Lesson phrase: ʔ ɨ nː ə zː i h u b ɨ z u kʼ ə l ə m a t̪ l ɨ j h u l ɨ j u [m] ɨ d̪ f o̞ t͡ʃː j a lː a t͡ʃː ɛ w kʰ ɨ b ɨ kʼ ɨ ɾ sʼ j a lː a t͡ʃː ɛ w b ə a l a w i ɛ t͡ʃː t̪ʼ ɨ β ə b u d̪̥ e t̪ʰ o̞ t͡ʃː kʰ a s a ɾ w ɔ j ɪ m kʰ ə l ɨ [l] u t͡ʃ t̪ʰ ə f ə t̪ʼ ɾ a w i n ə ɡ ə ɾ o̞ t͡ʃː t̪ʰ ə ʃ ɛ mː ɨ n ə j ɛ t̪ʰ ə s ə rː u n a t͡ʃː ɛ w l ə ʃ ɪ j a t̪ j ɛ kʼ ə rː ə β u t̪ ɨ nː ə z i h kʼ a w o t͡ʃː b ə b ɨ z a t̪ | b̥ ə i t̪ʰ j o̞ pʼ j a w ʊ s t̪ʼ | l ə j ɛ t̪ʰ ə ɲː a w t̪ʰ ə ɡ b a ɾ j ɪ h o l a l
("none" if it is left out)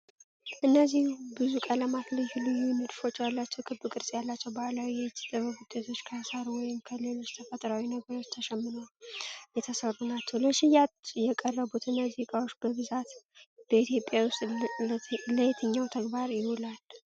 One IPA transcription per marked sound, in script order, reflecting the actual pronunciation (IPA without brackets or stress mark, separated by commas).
n, l